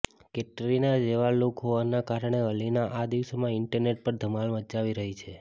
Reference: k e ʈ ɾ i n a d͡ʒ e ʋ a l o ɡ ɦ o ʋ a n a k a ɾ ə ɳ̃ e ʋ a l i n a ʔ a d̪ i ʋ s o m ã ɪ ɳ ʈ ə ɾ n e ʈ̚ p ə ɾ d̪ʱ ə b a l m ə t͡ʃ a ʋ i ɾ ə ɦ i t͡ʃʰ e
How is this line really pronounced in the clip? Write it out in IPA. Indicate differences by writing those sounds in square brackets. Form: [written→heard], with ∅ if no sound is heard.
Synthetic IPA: k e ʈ ɾ i n a d͡ʒ e ʋ a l o [ɡ→k] ɦ o ʋ a n a k a ɾ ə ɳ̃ e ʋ [a→ə] l i n a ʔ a d̪ i ʋ s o m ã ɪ ɳ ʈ ə ɾ n e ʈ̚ p ə ɾ d̪ʱ ə [b→m] a l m ə t͡ʃ a ʋ i ɾ ə ɦ i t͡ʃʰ e

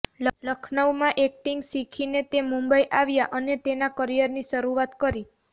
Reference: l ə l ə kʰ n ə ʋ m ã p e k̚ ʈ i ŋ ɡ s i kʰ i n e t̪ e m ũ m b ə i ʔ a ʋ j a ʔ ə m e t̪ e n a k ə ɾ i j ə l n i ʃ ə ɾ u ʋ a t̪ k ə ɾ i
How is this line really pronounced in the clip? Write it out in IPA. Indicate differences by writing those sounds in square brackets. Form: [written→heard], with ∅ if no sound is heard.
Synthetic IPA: l ə l ə kʰ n ə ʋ m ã [p→ʔ] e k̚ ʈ i ŋ ɡ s i kʰ i n e t̪ e m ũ m b ə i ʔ a ʋ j a ʔ ə [m→n] e t̪ e n a k ə ɾ i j ə [l→ɾ] n i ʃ ə ɾ u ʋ a t̪ k ə ɾ i

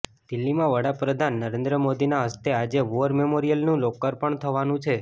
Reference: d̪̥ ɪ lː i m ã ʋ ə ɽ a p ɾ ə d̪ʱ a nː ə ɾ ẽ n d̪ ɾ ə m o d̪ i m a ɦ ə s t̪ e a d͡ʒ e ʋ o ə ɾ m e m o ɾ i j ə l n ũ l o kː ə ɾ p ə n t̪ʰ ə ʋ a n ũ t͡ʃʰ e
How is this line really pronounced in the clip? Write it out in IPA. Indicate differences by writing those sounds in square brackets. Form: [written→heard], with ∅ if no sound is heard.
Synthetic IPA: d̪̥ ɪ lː i m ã ʋ ə ɽ a p ɾ ə d̪ʱ a nː ə ɾ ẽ n d̪ ɾ ə m o d̪ i [m→n] a ɦ ə s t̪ e a d͡ʒ e ʋ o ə ɾ m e m o ɾ i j ə l n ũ l o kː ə ɾ p ə [n→ɳ] t̪ʰ ə ʋ a n ũ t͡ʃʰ e

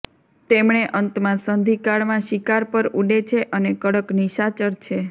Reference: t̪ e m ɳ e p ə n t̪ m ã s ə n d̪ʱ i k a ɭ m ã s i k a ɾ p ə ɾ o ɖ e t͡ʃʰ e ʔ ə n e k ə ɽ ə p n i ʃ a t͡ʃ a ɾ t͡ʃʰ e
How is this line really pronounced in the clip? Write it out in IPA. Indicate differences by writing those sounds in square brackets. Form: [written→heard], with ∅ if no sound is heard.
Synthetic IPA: t̪ e m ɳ e [p→ʔ] ə n t̪ m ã s ə n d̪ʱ i k a ɭ m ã [s→ʃ] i k a ɾ p ə ɾ [o→u] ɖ e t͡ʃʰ e ʔ ə n e k ə ɽ ə [p→k] n i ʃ a t͡ʃ [a→ə] ɾ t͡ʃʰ e

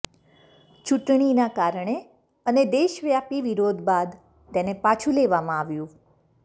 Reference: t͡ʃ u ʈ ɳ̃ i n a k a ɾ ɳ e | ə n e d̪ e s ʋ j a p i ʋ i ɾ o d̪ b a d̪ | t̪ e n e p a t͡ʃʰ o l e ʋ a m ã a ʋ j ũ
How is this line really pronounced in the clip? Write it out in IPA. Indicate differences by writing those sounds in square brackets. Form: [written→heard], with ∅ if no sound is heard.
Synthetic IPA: t͡ʃ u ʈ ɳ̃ i n a k a ɾ ɳ e | ə n e d̪ e [s→ʃ] ʋ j a p i ʋ i ɾ o d̪ b a d̪ | t̪ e n e p a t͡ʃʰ [o→u] l e ʋ a m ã a ʋ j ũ

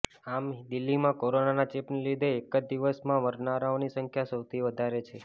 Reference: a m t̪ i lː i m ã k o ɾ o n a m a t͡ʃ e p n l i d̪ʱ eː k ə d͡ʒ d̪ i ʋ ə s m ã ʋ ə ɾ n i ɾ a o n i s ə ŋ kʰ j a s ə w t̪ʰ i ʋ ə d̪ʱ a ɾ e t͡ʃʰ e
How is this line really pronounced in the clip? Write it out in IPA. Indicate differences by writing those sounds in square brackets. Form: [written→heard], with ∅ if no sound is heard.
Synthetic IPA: a m [t̪→d̪] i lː i m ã k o ɾ o n a [m→n] a t͡ʃ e p n l i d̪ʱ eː k ə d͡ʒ d̪ i ʋ ə s m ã ʋ ə ɾ n [i→a] ɾ a o n i s ə ŋ kʰ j a s ə w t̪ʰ i ʋ ə d̪ʱ a ɾ e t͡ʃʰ e

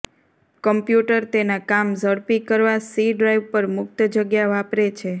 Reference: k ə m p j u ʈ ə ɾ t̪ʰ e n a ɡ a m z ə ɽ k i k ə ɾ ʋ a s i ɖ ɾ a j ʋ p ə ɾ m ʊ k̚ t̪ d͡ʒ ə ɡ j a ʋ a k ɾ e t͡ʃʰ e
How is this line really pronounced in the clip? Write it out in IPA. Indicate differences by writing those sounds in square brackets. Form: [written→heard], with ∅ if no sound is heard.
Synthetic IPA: k ə m p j u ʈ ə ɾ [t̪ʰ→t̪] e n a [ɡ→k] a m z ə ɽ [k→p] i k ə ɾ ʋ a s i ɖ ɾ a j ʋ p ə ɾ m ʊ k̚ t̪ d͡ʒ ə ɡ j a ʋ a [k→p] ɾ e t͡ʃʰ e

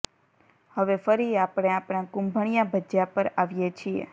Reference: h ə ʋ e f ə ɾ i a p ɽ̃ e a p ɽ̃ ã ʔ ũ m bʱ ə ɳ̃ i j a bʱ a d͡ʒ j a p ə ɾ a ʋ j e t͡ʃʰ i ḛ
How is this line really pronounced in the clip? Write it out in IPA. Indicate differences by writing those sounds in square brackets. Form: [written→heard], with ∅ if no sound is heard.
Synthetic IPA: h ə ʋ e f ə ɾ i a p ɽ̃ e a p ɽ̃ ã [ʔ→k] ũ m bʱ ə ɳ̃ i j a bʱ [a→ə] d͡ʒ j a p ə ɾ a ʋ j e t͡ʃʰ i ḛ

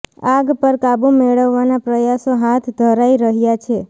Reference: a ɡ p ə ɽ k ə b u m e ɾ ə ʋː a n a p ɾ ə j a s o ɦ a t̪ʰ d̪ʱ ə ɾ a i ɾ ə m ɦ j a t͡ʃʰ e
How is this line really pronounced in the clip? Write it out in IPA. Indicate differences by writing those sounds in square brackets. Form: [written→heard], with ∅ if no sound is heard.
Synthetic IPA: a ɡ p ə [ɽ→ɾ] k [ə→a] b u m e [ɾ→ɭ] ə ʋː a n a p ɾ ə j a s o ɦ a t̪ʰ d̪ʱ ə ɾ a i ɾ ə [m→∅] ɦ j a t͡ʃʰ e

